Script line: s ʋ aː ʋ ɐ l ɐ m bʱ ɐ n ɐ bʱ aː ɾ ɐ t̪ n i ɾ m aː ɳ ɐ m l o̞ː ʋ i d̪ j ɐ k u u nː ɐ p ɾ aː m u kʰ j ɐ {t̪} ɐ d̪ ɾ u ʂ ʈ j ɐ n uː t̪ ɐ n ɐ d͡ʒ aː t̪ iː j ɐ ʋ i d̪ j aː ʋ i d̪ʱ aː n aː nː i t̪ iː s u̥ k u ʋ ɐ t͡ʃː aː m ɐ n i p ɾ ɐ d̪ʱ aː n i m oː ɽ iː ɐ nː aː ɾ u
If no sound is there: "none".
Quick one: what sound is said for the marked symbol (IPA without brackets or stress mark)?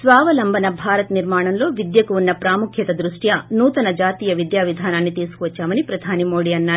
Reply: t̪